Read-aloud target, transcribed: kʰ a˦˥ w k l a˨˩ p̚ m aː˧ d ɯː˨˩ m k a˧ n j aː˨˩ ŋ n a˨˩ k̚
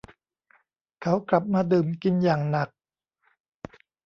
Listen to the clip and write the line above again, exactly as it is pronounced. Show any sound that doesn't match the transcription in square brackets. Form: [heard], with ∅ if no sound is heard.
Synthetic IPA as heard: kʰ a˦˥ w k l a˨˩ p̚ m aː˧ d ɯː˨˩ m k [i˧] n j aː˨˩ ŋ n a˨˩ k̚